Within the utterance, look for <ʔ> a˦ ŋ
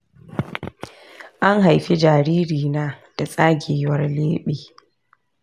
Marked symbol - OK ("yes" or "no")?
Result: yes